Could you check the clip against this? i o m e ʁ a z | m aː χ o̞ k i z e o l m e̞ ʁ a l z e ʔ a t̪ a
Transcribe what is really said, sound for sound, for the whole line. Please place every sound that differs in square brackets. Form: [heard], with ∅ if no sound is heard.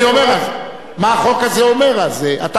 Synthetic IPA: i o m e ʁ a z | m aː χ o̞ k [a] z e o [∅] m e̞ ʁ a l z e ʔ a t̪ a